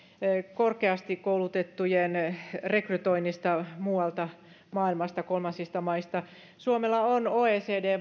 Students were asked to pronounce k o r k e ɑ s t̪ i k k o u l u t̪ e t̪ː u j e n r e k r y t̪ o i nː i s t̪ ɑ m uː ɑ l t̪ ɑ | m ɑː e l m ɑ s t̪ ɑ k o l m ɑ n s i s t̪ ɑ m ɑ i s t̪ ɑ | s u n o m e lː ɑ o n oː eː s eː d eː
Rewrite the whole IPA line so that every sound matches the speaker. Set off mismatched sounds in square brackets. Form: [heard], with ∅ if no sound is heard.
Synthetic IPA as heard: k o r k e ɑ s t̪ i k k o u l u t̪ e t̪ː u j e n r e k r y t̪ o i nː i s t̪ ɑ m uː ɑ l t̪ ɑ | m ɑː [i] l m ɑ s t̪ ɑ k o l m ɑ n s i s t̪ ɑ m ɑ i s t̪ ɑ | s u [∅] o m e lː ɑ o n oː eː s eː d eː